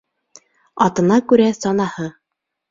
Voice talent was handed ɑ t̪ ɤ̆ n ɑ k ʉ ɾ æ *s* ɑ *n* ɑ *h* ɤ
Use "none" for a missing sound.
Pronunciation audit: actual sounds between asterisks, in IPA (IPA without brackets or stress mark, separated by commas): s, n, h